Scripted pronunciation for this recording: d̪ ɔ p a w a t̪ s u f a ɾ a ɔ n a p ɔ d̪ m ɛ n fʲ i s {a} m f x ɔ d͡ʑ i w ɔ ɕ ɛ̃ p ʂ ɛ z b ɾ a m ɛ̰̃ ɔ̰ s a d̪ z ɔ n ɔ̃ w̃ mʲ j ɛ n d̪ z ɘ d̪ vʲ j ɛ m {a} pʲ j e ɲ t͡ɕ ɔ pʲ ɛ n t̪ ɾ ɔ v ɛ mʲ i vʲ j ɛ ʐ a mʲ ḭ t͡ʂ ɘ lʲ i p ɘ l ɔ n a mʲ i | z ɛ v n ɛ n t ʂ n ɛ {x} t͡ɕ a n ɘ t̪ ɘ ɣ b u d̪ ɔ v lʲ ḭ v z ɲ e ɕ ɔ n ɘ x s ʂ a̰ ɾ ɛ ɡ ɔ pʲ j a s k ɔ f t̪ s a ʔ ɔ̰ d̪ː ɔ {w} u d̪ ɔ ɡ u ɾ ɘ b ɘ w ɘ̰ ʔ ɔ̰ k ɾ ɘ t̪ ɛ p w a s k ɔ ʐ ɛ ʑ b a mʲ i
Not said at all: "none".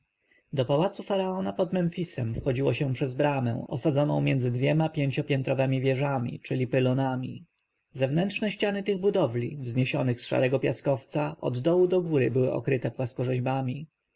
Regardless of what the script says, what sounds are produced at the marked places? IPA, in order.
ɛ, a, ɕ, w

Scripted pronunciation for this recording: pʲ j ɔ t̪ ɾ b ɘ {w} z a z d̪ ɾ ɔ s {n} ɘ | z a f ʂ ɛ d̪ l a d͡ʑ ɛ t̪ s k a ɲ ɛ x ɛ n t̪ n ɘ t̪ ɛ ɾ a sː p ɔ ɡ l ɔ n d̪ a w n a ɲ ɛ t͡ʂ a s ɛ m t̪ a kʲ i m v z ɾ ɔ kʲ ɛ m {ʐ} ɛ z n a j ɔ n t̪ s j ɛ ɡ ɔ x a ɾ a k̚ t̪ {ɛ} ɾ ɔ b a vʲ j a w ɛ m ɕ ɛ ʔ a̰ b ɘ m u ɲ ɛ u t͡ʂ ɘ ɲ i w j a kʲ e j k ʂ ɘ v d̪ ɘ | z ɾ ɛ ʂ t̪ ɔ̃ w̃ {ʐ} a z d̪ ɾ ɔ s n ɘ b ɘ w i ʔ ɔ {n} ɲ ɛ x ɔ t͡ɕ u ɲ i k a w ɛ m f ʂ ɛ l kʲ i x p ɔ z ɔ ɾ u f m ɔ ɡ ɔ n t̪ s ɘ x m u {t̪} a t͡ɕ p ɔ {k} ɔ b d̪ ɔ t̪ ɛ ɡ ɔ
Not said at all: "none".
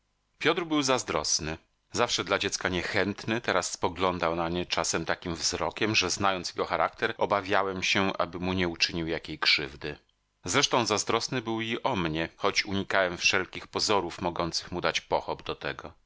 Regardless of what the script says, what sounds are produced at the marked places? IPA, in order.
w, n, ʐ, ɛ, z, m, d̪, x

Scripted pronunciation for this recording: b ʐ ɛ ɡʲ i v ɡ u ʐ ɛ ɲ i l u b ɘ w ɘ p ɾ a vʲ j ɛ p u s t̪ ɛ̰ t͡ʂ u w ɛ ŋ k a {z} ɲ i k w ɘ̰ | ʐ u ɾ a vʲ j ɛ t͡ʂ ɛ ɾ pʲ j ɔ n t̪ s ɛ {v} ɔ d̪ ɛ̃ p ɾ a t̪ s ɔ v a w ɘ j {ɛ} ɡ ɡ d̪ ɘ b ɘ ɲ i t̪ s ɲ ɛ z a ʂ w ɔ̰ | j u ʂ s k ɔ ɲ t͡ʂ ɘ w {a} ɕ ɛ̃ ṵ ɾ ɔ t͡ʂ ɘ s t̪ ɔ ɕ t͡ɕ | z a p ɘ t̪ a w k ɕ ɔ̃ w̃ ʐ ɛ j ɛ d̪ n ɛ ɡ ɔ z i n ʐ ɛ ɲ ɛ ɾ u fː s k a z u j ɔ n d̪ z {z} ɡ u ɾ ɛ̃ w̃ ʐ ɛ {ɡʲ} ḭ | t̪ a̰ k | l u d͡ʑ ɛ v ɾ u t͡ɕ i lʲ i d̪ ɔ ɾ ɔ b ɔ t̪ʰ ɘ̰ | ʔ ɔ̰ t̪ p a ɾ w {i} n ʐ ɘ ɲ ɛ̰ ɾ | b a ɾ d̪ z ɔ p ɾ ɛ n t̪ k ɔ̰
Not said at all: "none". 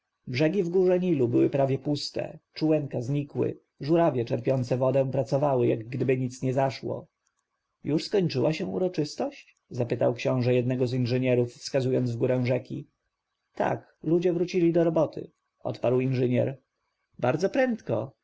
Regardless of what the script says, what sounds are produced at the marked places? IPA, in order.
z, v, a, a, v, kʲ, i

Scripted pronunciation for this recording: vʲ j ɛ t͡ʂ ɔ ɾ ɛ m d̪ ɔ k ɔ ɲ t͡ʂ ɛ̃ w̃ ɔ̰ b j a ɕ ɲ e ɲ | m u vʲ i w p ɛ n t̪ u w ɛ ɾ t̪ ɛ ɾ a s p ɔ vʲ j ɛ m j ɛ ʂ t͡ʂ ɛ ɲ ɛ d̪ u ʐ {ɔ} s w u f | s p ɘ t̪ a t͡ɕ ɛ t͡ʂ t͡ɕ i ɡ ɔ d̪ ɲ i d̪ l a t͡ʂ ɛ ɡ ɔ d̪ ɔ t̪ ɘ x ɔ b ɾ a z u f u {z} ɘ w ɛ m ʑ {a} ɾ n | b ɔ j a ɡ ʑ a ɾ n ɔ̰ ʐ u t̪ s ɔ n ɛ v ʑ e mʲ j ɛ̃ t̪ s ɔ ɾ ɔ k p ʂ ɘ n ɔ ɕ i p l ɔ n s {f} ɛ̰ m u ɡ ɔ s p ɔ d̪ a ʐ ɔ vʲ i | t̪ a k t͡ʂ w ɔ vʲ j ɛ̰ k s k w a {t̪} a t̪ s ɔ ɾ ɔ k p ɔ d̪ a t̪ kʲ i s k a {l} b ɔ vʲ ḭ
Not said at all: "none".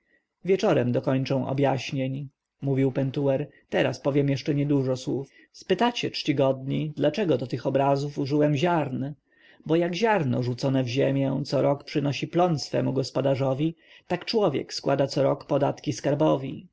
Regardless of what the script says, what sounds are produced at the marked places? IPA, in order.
ɔ, ʐ, a, f, d̪, ɾ

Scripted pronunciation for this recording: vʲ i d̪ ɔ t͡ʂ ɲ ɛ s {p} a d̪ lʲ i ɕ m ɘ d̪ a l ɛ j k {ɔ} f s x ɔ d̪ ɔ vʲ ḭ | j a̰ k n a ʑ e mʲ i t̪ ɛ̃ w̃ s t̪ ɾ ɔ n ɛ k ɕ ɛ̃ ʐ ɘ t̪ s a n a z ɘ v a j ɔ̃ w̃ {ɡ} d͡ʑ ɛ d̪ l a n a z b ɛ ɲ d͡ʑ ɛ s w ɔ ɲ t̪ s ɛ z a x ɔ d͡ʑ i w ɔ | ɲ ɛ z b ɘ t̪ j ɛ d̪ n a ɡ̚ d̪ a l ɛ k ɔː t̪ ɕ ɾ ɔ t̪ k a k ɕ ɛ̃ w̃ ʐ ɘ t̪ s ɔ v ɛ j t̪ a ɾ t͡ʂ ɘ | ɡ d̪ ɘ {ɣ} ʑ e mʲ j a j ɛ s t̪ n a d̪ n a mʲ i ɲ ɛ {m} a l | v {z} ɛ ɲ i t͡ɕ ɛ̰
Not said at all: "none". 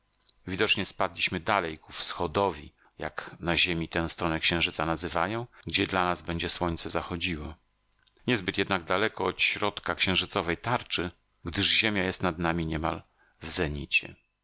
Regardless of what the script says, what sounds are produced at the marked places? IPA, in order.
p, u, ɡ, ʐ, m, z

